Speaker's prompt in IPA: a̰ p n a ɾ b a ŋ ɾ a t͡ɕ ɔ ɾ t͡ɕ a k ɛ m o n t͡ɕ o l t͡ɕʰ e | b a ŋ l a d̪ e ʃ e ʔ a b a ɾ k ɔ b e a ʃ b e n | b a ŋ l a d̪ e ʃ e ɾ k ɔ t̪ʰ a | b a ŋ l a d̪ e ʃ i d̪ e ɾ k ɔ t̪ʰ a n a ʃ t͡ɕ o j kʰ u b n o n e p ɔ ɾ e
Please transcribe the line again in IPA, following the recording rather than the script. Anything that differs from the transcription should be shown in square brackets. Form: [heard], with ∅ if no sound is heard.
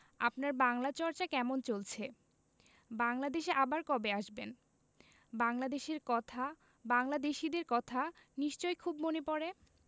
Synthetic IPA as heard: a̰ p n a ɾ b a ŋ [l] a t͡ɕ ɔ ɾ t͡ɕ a k ɛ m o n t͡ɕ o l t͡ɕʰ e | b a ŋ l a d̪ e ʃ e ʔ a b a ɾ k ɔ b e a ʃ b e n | b a ŋ l a d̪ e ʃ e ɾ k ɔ t̪ʰ a | b a ŋ l a d̪ e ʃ i d̪ e ɾ k ɔ t̪ʰ a n [i] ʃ t͡ɕ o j kʰ u b [m] o n e p ɔ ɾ e

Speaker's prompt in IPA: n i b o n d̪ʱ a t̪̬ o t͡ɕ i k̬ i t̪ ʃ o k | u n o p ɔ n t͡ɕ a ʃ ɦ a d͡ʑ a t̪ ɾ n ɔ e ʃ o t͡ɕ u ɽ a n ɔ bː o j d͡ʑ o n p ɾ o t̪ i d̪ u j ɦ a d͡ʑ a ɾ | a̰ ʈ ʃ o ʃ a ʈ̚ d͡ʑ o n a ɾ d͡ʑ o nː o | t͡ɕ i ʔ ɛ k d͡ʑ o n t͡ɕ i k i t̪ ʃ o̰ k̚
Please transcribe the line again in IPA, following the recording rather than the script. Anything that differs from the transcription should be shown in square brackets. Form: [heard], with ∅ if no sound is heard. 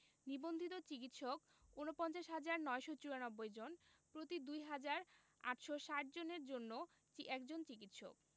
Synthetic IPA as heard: n i b o n d̪ʱ [i] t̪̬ o t͡ɕ i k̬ i t̪ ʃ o k | u n o p ɔ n t͡ɕ a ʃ ɦ a d͡ʑ a [∅] ɾ n ɔ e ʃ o t͡ɕ u [ɾ] a n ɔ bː o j d͡ʑ o n p ɾ o t̪ i d̪ u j ɦ a d͡ʑ a ɾ | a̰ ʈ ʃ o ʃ a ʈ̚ d͡ʑ o n [e] ɾ d͡ʑ o nː o | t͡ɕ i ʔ ɛ k d͡ʑ o n t͡ɕ i k i t̪ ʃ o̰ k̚

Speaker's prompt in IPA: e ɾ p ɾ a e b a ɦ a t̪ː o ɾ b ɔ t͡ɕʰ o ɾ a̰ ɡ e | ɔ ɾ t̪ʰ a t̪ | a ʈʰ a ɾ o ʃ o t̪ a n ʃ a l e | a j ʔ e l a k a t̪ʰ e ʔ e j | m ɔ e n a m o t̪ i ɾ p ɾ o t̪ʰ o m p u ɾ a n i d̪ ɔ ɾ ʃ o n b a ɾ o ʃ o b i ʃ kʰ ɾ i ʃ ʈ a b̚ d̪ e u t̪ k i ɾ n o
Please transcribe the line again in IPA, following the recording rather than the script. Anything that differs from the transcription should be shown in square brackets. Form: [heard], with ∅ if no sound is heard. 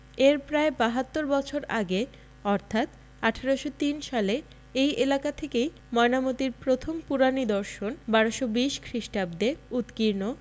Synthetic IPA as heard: e ɾ p ɾ a e b a ɦ a t̪ː o ɾ b ɔ t͡ɕʰ o ɾ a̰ ɡ e | ɔ ɾ t̪ʰ a t̪ | a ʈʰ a ɾ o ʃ o t̪ [i] n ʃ a l e | [e] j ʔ e l a k a t̪ʰ e [k] e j | m ɔ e n a m o t̪ i ɾ p ɾ o t̪ʰ o m p u ɾ a n i d̪ ɔ ɾ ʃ o n b a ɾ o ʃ o b i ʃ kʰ ɾ i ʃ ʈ a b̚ d̪ e u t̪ k i ɾ n o

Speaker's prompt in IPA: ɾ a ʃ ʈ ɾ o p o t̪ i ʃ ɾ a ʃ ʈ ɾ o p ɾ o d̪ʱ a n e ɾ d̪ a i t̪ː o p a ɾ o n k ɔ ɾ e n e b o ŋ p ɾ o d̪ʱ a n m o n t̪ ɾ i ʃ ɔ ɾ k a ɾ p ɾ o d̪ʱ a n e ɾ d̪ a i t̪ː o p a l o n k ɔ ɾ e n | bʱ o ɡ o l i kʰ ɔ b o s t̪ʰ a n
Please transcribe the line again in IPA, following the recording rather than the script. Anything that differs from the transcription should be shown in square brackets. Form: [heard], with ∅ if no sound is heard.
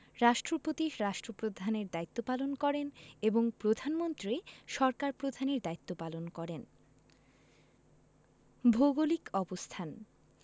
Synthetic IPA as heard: ɾ a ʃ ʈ ɾ o p o t̪ i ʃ ɾ a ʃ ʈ ɾ o p ɾ o d̪ʱ a n e ɾ d̪ a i t̪ː o p a [l] o n k ɔ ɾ e n e b o ŋ p ɾ o d̪ʱ a n m o n t̪ ɾ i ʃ ɔ ɾ k a ɾ p ɾ o d̪ʱ a n e ɾ d̪ a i t̪ː o p a l o n k ɔ ɾ e n | bʱ o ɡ o l i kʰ ɔ b o s t̪ʰ a n

